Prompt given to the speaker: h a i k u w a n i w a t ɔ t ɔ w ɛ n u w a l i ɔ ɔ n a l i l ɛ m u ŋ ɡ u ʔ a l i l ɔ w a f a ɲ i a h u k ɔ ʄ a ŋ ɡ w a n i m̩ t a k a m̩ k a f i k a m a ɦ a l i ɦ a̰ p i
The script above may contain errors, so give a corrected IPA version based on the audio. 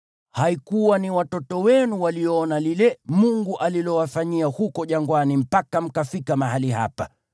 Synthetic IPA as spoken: h a i k u w a n i w a t ɔ t ɔ w ɛ n u w a l i ɔ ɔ n a l i l ɛ m u ŋ ɡ u ʔ a l i l ɔ w a f a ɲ i a h u k ɔ ʄ a ŋ ɡ w a n i m̩ p a k a m̩ k a f i k a m a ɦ a l i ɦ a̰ p a

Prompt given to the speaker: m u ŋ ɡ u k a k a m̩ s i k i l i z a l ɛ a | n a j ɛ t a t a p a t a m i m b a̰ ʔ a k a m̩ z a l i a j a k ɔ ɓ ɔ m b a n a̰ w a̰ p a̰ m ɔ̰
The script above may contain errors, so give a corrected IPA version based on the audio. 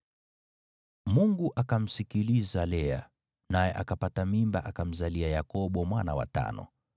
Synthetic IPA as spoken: m u ŋ ɡ u ʔ a k a m̩ s i k i l i z a l ɛ a | n a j ɛ ʔ a k a p a t a m i m b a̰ ʔ a k a m̩ z a l i a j a k ɔ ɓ ɔ m w a n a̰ w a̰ t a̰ n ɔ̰

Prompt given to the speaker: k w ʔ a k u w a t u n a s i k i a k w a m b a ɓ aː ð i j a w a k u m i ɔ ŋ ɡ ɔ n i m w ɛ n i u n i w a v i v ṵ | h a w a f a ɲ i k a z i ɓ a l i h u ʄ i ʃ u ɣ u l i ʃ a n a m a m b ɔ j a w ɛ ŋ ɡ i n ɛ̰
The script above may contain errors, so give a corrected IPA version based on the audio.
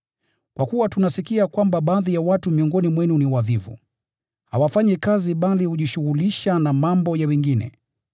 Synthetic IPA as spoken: k w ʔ a k u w a t u n a s i k i a k w a m b a ɓ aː ð i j a w a t u m i ɔ ŋ ɡ ɔ n i m w ɛ n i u n i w a v i v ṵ | h a w a f a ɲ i k a z i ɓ a l i h u ʄ i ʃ u ɣ u l i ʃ a n a m a m b ɔ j a w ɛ ŋ ɡ i n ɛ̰

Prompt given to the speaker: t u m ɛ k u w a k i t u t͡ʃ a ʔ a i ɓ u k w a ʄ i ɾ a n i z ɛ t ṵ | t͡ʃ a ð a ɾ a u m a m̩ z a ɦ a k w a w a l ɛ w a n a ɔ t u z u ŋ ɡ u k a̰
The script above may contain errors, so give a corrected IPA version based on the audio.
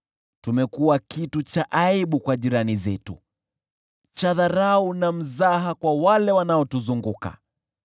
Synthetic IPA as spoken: t u m ɛ k u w a k i t u t͡ʃ a ʔ a i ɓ u k w a ʄ i ɾ a n i z ɛ t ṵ | t͡ʃ a ð a ɾ a u n a m̩ z a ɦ a k w a w a l ɛ w a n a ɔ t u z u ŋ ɡ u k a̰

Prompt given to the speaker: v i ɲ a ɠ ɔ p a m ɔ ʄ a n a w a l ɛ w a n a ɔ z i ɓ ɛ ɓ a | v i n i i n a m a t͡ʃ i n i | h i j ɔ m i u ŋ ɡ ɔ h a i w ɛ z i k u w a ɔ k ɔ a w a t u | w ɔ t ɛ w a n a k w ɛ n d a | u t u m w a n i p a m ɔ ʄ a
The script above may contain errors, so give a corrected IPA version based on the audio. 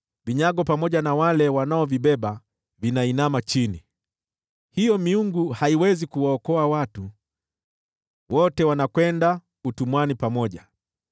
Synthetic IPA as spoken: v i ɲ a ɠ ɔ p a m ɔ ʄ a n a w a l ɛ w a n a ɔ v i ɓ ɛ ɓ a | v i n a i n a m a t͡ʃ i n i | h i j ɔ m i u ŋ ɡ u h a i w ɛ z i k u w a ɔ k ɔ a w a t u | w ɔ t ɛ w a n a k w ɛ n d a | u t u m w a n i p a m ɔ ʄ a

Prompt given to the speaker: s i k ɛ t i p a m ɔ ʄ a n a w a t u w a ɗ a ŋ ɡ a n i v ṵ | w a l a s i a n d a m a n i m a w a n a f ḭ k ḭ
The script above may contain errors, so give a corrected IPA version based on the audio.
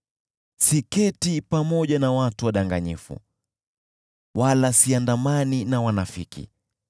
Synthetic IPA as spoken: s i k ɛ t i p a m ɔ ʄ a n a w a t u w a ɗ a ŋ ɡ a ɲ i f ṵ | w a l a s i a n d a m a n i n a w a n a f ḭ k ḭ

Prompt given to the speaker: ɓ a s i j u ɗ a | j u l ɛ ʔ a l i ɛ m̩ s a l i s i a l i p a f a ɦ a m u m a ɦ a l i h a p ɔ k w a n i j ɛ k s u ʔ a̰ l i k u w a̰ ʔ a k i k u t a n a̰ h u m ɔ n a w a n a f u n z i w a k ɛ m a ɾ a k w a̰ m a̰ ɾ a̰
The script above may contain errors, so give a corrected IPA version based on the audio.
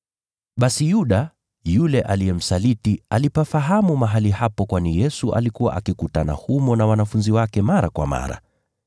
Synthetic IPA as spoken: ɓ a s i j u ɗ a | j u l ɛ ʔ a l i ɛ m̩ s a l i t i a l i p a f a ɦ a m u m a ɦ a l i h a p ɔ k w a n i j ɛ s u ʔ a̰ l i k u w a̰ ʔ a k i k u t a n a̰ h u m ɔ n a w a n a f u n z i w a k ɛ m a ɾ a k w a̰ m a̰ ɾ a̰

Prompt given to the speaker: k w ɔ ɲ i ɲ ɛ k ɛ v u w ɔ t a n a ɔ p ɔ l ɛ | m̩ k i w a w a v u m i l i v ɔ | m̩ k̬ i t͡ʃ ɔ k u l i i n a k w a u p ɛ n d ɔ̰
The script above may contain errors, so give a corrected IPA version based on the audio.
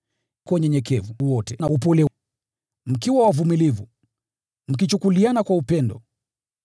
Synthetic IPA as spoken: k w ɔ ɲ ɛ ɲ ɛ k ɛ v u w ɔ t ɛ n a u p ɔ l ɛ | m̩ k i w a w a v u m i l i v u | m̩ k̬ i t͡ʃ u k u l i a n a k w a u p ɛ n d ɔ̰

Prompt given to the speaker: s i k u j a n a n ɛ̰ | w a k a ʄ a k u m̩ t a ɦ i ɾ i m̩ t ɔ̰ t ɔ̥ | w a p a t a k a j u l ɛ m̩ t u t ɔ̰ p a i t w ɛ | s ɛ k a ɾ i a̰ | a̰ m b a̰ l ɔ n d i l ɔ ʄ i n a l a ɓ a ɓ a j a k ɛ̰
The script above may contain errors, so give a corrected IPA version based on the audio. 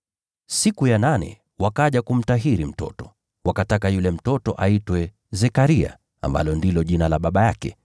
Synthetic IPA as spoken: s i k u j a n a n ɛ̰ | w a k a ʄ a k u m̩ t a ɦ i ɾ i m̩ t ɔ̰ t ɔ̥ | w a k a t a k a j u l ɛ m̩ t ɔ t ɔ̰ ʔ a i t w ɛ | z ɛ k a ɾ i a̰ | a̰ m b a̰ l ɔ n d i l ɔ ʄ i n a l a ɓ a ɓ a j a k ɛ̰

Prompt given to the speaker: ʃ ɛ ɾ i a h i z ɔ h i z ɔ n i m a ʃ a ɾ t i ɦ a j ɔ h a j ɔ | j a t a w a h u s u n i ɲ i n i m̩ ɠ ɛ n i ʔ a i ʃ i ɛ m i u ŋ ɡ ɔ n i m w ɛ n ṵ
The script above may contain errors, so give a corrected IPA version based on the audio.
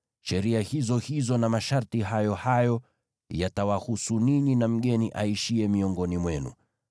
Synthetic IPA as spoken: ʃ ɛ ɾ i a h i z ɔ h i z ɔ n a m a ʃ a ɾ t i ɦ a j ɔ h a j ɔ | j a t a w a h u s u n i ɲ i n a m̩ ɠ ɛ n i ʔ a i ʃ i ɛ m i ɔ ŋ ɡ ɔ n i m w ɛ n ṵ

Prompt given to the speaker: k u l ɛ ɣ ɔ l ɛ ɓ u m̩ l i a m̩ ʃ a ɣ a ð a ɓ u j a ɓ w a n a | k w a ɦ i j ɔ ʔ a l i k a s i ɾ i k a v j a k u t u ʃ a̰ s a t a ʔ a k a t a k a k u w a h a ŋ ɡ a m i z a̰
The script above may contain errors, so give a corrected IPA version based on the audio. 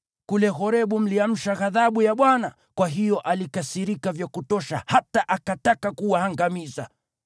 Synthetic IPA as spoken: k u l ɛ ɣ ɔ ɾ ɛ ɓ u m̩ l i a m̩ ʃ a ɣ a ð a ɓ u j a ɓ w a n a | k w a ɦ i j ɔ ʔ a l i k a s i ɾ i k a v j a k u t ɔ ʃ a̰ h a t a ʔ a k a t a k a k u w a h a ŋ ɡ a m i z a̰

